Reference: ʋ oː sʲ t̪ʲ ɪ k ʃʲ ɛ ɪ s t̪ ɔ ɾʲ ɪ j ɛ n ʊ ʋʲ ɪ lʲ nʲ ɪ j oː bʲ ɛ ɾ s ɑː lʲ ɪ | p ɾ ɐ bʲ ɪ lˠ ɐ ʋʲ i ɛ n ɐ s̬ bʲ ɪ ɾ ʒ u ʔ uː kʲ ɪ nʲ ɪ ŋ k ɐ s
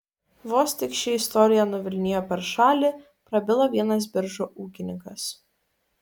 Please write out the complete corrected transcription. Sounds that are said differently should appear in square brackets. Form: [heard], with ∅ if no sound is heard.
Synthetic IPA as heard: ʋ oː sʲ t̪ʲ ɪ k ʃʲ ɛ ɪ s t̪ ɔ ɾʲ ɪ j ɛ n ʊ ʋʲ ɪ lʲ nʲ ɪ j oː [pʲ] ɛ ɾ [ʃ] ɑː lʲ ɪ | p ɾ ɐ bʲ ɪ lˠ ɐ ʋʲ i ɛ n ɐ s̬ bʲ ɪ ɾ ʒ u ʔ uː kʲ ɪ nʲ ɪ ŋ k ɐ s

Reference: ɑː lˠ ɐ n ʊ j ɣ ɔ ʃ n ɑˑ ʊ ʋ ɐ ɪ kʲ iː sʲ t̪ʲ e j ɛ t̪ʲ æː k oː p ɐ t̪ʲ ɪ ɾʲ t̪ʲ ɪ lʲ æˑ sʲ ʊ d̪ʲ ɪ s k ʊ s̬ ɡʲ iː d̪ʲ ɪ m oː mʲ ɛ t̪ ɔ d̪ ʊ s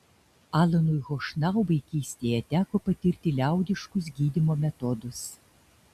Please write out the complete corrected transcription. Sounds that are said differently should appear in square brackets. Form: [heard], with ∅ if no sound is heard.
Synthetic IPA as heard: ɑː lˠ ɐ n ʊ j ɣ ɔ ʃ n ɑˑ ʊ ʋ ɐ ɪ kʲ iː sʲ t̪ʲ e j ɛ t̪ʲ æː k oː p ɐ t̪ʲ ɪ ɾʲ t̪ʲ ɪ lʲ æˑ [∅] ʊ d̪ʲ ɪ [ʃ] k ʊ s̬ ɡʲ iː d̪ʲ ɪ m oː mʲ ɛ t̪ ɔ d̪ ʊ s

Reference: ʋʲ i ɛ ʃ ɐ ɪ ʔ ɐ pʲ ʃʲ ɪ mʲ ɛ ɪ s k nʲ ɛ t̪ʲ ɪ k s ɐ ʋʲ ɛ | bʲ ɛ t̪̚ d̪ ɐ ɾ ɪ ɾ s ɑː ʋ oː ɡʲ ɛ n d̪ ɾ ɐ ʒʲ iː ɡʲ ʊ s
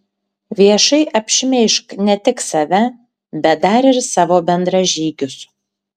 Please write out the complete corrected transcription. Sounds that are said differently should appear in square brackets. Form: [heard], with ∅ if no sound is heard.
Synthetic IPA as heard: ʋʲ i ɛ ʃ ɐ ɪ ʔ ɐ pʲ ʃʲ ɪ mʲ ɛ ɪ [ʃ] k nʲ ɛ t̪ʲ ɪ k s ɐ ʋʲ ɛ | bʲ ɛ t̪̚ d̪ ɐ ɾ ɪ ɾ s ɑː ʋ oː [bʲ] ɛ n d̪ ɾ ɐ ʒʲ iː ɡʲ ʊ s

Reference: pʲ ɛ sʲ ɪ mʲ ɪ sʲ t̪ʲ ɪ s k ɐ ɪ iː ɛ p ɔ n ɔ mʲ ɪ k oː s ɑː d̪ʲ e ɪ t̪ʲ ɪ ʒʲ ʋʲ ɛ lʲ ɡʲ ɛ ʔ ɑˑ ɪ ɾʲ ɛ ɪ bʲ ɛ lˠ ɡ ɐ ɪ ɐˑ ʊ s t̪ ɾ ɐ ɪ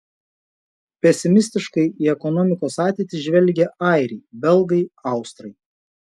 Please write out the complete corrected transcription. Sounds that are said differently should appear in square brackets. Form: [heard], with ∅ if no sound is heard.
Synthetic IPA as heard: pʲ ɛ sʲ ɪ mʲ ɪ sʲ t̪ʲ ɪ [ʃ] k ɐ ɪ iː ɛ [k] ɔ n ɔ mʲ ɪ k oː s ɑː [t̪ʲ] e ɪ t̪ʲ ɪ ʒʲ ʋʲ ɛ lʲ ɡʲ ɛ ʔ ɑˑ ɪ ɾʲ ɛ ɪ bʲ ɛ lˠ ɡ ɐ ɪ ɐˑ ʊ s t̪ ɾ ɐ ɪ

